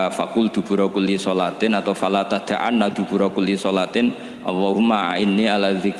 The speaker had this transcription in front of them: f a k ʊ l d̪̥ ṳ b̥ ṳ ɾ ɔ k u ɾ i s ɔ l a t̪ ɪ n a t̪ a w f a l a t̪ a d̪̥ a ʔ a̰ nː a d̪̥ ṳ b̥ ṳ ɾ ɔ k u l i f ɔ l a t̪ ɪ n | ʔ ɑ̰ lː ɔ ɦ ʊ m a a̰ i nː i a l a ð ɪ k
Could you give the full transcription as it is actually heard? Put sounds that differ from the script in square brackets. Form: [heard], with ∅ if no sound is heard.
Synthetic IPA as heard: f a k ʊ l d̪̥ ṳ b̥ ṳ ɾ ɔ k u [l] i s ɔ l a t̪ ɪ n a t̪ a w f a l a t̪ a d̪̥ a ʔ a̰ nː a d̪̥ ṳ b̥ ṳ ɾ ɔ k u l i [s] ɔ l a t̪ ɪ n | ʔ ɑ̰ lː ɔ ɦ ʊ m a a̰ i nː i a l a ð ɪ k

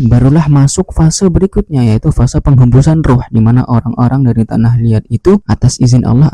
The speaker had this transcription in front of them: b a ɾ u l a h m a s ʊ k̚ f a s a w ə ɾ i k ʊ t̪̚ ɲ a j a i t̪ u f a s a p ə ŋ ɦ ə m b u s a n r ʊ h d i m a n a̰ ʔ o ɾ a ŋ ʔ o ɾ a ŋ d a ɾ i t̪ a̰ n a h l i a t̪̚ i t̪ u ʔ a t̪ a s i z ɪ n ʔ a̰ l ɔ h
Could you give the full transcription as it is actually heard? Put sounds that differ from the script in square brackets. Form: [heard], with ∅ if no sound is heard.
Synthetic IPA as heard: b a ɾ u l a h m a s ʊ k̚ f a s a [b] ə ɾ i k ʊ t̪̚ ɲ a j a i t̪ u f a s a p ə ŋ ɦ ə m b u s a n r ʊ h d i m a n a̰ ʔ o ɾ a ŋ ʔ o ɾ a ŋ d a ɾ i t̪ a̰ n a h l i a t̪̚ i t̪ u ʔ a t̪ a s i z ɪ n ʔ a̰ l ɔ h

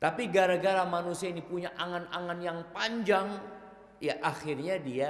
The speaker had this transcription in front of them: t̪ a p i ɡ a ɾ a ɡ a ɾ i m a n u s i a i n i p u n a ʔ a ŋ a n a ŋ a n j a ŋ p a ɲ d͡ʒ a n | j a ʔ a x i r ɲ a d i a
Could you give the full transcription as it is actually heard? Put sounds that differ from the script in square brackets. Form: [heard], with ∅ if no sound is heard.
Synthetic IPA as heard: t̪ a p i ɡ a ɾ a ɡ a ɾ [a] m a n u s i a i n i p u [ɲ] a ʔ a ŋ a n a ŋ a n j a ŋ p a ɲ d͡ʒ a [ŋ] | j a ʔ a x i r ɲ a d i a

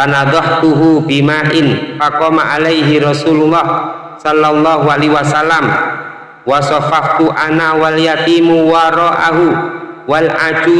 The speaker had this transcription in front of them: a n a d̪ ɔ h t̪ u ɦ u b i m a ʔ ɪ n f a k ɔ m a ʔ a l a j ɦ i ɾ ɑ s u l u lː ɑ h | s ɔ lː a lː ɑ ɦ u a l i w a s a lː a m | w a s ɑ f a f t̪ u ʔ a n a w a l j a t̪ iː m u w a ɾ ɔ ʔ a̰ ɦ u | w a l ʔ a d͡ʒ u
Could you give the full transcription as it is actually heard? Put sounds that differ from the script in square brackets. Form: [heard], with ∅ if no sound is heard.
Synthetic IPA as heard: a n a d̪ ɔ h t̪ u ɦ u b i m a ʔ ɪ n f a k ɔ m a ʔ a l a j ɦ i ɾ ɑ s u l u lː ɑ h | s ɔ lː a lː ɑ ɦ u a l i w a s a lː a m | w a s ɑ f a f t̪ u ʔ a n a w a l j a t̪ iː m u w a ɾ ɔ ʔ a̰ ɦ u | w a l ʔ a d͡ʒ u

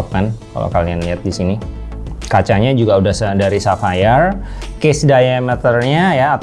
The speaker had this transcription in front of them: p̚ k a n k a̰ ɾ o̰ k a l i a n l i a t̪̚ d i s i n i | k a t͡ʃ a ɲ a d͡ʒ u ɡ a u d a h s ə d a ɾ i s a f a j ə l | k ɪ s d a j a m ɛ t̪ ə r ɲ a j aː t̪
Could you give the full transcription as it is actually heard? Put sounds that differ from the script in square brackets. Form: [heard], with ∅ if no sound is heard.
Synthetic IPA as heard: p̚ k a n k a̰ [l] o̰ k a l i a n l i a t̪̚ d i s i n i | k a t͡ʃ a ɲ a d͡ʒ u ɡ a u d a h s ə d a ɾ i s a f a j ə [r] | k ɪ s d a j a m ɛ t̪ ə r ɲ a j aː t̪

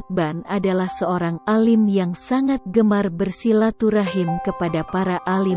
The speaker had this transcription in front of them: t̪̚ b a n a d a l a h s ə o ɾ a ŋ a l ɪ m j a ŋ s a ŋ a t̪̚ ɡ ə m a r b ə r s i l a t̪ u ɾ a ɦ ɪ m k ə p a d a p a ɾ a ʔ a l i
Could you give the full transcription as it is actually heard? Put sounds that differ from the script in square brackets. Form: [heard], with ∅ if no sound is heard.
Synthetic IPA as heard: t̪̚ b a n a d a l a h s ə o ɾ a ŋ a l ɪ m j a ŋ s a ŋ a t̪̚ ɡ ə m a r b ə r s i l a t̪ u ɾ a ɦ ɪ m k ə p a d a p a ɾ a ʔ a l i

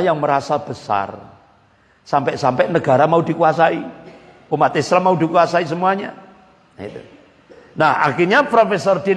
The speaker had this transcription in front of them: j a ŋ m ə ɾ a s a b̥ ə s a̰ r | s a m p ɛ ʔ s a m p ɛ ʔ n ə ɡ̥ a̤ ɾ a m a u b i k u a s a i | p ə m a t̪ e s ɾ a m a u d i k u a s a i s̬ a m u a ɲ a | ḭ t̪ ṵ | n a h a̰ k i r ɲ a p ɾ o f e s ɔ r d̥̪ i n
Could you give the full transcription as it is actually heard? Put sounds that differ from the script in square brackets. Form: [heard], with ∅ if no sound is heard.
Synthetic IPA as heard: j a ŋ m ə ɾ a s a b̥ ə s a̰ r | s a m p ɛ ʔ s a m p ɛ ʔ n ə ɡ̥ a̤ ɾ a m a u [d] i k u a s a i | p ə m a t̪ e s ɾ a m a u d i k u a s a i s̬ [ə] m u a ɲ a | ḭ t̪ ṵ | n a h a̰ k i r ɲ a p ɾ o f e s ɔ r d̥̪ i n

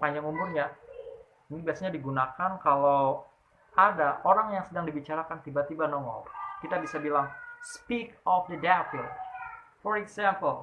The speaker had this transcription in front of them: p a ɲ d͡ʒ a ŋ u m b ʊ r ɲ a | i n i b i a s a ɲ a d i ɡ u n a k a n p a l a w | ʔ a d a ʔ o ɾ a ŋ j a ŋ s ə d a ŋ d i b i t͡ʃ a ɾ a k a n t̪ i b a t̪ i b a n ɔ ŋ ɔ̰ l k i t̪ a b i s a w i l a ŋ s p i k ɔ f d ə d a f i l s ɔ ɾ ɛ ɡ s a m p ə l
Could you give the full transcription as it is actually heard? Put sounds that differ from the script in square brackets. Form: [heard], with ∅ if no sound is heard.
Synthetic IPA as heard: p a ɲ d͡ʒ a ŋ u m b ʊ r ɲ a | i n i b i a s a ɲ a d i ɡ u n a k a n [k] a l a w | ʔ a d a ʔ o ɾ a ŋ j a ŋ s ə d a ŋ d i b i t͡ʃ a ɾ a k a n t̪ i b a t̪ i b a n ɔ ŋ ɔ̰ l k i t̪ a b i s a [b] i l a ŋ s p i k ɔ f d ə d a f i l [f] ɔ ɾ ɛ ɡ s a m p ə l

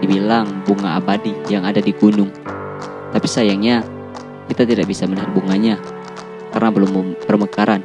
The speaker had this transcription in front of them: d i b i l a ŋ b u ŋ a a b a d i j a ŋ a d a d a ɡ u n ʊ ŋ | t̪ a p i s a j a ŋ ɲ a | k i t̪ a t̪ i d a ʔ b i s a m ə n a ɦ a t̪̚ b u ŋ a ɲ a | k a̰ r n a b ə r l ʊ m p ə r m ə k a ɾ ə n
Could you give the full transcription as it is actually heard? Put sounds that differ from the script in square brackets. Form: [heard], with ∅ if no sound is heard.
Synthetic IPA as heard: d i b i l a ŋ b u ŋ a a b a d i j a ŋ a d a d [i] ɡ u n ʊ ŋ | t̪ a p i s a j a ŋ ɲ a | k i t̪ a t̪ i d a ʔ b i s a m ə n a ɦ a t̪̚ b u ŋ a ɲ a | k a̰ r n a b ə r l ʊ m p ə r m ə k a ɾ [a] n

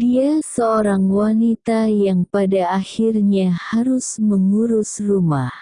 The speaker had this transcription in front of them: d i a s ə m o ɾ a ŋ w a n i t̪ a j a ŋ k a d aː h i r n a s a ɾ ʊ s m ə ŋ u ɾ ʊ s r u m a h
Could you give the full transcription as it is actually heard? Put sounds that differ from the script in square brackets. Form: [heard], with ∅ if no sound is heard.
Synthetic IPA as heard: d i a s ə [∅] o ɾ a ŋ w a n i t̪ a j a ŋ [p] a d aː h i r [ɲ] a [h] a ɾ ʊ s m ə ŋ u ɾ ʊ s r u m a h

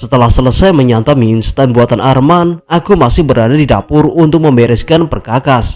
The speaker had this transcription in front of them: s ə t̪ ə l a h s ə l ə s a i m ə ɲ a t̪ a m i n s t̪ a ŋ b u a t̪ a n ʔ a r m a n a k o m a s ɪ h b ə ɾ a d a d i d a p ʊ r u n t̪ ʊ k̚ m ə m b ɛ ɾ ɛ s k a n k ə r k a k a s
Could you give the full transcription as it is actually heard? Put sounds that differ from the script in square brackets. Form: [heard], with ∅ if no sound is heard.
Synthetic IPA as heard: s ə t̪ ə l a h s ə l ə s a [j] m ə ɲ a t̪ a m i n s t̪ a [n] b u a t̪ a n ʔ a r m a n a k [u] m a s ɪ h b ə ɾ a d a d i d a p ʊ r u n t̪ ʊ k̚ m ə m b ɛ ɾ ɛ s k a n [p] ə r k a k a s

